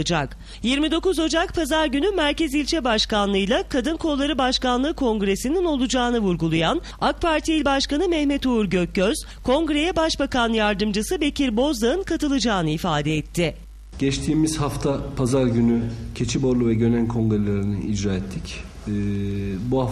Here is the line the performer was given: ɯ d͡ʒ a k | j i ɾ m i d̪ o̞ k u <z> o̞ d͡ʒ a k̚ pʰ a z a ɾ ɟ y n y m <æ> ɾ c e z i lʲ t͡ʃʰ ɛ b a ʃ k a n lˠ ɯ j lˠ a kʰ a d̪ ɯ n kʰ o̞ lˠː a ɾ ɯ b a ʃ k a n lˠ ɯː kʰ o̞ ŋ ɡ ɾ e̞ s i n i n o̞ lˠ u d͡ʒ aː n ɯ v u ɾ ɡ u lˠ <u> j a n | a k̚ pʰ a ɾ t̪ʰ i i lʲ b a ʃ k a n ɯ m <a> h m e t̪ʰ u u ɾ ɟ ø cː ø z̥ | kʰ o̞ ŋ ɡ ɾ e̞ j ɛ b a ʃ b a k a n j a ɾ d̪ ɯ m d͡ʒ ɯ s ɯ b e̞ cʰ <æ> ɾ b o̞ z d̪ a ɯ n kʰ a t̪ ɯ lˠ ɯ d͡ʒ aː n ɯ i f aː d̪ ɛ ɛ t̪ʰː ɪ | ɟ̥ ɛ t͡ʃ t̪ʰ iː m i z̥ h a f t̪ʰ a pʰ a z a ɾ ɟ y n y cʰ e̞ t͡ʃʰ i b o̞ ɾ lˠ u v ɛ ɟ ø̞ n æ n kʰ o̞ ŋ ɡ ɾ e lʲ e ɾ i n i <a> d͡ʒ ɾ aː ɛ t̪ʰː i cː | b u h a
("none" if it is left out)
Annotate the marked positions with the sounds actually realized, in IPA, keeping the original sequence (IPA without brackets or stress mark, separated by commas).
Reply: z, æ, u, ɛ, i, i